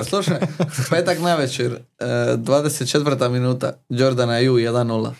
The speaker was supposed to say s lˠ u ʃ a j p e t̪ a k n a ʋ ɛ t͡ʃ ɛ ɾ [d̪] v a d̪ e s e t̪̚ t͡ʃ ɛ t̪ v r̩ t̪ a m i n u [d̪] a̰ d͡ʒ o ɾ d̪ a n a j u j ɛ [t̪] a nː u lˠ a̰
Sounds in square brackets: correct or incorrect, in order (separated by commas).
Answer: correct, incorrect, incorrect